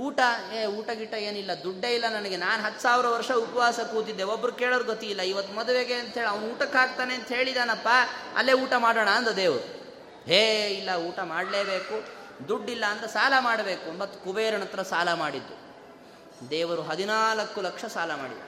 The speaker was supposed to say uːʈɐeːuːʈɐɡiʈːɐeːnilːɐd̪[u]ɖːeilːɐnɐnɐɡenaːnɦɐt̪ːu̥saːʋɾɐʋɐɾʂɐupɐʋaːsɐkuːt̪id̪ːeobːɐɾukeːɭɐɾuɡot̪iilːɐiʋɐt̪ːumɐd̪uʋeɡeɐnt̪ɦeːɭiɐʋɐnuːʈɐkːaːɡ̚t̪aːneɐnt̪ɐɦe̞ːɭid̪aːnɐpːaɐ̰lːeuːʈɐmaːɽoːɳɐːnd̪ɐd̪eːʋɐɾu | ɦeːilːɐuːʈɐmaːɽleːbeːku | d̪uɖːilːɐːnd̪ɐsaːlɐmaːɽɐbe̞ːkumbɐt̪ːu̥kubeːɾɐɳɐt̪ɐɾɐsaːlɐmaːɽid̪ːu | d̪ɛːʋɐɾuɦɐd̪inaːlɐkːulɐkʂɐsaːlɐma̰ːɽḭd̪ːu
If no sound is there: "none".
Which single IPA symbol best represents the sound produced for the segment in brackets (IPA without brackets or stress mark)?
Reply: u